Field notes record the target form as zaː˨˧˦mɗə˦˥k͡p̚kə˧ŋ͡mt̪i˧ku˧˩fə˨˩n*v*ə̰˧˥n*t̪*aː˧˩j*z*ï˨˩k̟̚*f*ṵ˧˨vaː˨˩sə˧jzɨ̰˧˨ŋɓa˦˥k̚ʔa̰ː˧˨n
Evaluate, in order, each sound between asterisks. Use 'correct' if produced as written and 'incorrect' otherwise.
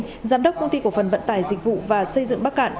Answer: correct, correct, correct, incorrect

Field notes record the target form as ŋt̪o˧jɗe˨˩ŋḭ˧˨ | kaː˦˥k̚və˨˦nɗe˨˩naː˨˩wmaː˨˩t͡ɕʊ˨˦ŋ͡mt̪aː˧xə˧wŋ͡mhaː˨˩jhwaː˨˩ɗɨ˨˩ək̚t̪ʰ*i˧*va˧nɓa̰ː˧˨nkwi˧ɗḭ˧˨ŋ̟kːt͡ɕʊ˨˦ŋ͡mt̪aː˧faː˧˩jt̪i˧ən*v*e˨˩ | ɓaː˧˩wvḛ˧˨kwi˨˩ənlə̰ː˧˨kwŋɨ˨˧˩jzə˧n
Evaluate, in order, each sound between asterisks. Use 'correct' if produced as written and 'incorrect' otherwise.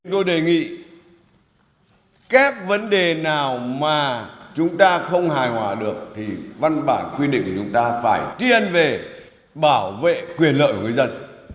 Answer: incorrect, correct

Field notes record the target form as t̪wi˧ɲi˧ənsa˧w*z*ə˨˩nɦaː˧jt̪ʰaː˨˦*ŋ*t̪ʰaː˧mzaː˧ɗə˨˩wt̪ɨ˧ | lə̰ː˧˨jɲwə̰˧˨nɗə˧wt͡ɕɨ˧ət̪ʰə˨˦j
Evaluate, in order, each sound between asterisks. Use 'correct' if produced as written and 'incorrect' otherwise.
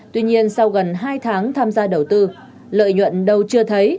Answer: incorrect, correct

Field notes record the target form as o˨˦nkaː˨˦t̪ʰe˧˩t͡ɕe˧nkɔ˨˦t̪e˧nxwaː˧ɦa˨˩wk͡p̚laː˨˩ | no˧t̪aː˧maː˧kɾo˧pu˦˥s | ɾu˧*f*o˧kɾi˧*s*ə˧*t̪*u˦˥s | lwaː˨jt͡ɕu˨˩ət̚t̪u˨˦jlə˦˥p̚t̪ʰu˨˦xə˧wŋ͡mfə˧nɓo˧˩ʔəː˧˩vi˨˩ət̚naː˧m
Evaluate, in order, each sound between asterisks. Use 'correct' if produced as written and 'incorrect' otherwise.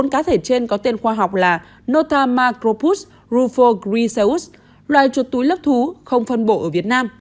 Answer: correct, correct, incorrect

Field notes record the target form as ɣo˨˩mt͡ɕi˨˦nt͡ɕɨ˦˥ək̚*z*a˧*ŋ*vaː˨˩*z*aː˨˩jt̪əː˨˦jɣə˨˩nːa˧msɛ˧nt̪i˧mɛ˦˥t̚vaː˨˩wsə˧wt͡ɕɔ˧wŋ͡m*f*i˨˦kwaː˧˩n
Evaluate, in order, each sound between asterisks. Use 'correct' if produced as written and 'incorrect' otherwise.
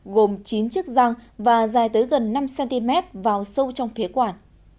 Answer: correct, correct, correct, correct

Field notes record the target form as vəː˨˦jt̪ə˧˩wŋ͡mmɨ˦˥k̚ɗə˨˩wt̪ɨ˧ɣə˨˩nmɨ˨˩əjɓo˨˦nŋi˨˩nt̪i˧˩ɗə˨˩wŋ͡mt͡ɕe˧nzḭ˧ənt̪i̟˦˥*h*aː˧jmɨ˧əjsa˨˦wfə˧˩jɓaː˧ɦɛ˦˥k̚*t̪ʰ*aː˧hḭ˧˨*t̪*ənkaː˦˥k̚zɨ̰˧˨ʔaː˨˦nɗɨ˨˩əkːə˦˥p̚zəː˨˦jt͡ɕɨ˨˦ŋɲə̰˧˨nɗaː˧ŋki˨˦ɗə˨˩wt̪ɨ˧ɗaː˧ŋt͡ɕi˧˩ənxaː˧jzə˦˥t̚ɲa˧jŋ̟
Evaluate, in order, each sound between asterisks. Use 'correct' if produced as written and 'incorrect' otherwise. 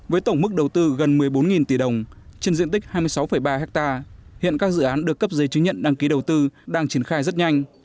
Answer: correct, incorrect, incorrect

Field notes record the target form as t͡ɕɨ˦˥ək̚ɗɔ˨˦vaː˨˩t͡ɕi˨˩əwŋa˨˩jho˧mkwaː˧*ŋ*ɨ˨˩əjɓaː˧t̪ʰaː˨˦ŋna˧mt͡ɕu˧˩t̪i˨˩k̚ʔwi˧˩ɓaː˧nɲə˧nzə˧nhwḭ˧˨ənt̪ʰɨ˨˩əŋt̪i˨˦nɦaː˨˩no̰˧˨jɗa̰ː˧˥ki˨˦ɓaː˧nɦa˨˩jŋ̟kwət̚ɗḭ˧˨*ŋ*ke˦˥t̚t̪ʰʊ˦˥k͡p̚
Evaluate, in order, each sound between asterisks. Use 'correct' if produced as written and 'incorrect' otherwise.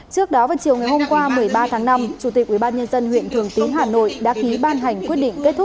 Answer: incorrect, correct

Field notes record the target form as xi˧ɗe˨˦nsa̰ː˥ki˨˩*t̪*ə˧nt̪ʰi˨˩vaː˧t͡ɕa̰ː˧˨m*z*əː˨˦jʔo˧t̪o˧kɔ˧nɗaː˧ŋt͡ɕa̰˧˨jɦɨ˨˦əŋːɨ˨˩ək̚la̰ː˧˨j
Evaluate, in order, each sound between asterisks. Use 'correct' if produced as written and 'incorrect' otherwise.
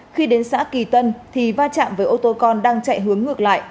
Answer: correct, incorrect

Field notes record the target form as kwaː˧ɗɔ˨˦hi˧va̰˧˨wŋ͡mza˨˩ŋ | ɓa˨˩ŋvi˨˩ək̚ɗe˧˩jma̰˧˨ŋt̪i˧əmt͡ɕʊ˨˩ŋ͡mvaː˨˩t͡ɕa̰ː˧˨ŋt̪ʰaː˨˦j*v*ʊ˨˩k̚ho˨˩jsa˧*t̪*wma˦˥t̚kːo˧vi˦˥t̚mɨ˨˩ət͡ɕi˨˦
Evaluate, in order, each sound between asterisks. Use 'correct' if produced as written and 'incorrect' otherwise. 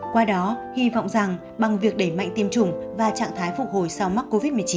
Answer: incorrect, incorrect

